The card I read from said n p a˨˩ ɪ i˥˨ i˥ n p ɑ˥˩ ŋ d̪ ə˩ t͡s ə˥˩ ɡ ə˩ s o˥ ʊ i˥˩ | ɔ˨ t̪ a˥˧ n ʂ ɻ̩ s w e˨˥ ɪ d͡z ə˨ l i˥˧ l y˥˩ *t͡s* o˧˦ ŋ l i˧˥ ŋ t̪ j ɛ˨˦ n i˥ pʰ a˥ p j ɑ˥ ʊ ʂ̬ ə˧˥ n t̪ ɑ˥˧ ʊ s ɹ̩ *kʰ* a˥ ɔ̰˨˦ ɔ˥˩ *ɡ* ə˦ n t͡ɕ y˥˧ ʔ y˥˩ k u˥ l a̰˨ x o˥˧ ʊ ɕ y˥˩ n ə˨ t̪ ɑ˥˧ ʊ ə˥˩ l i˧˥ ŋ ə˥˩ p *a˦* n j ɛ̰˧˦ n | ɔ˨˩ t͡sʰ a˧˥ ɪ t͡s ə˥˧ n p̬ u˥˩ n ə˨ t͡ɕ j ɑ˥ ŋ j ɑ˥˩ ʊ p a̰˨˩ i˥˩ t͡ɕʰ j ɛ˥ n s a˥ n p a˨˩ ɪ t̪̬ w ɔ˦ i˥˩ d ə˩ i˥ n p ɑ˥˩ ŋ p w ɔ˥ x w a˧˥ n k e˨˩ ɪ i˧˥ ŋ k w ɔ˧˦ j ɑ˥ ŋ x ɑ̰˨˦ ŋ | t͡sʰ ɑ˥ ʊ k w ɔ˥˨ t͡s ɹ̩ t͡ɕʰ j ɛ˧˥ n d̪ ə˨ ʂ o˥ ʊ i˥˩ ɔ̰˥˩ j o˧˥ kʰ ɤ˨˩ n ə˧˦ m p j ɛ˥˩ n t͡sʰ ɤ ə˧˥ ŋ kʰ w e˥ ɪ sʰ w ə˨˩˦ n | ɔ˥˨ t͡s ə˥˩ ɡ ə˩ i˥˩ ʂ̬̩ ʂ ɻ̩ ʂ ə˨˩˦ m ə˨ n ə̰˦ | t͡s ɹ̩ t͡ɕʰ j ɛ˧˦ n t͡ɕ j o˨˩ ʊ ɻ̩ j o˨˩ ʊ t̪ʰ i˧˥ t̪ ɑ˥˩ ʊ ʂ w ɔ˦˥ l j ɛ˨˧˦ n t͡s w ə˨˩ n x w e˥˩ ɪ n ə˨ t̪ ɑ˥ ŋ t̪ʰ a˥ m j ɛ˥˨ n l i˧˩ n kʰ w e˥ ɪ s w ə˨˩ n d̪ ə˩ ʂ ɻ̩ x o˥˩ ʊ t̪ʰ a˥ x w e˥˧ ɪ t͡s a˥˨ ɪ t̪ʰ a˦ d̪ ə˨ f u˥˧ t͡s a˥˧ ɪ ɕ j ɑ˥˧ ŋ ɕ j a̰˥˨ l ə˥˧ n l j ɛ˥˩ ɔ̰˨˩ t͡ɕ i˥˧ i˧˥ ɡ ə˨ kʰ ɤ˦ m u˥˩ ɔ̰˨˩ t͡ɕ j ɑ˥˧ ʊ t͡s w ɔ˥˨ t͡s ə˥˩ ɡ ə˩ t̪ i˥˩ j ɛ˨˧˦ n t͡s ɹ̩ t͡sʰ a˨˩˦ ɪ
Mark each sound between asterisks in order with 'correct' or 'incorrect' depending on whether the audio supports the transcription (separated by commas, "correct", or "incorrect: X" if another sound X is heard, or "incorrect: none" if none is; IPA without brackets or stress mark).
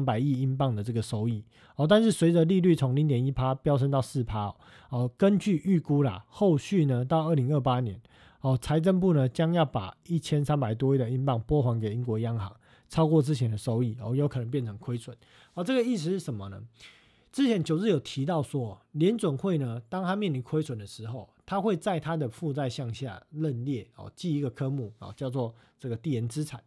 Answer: incorrect: t͡sʰ, incorrect: pʰ, incorrect: k, correct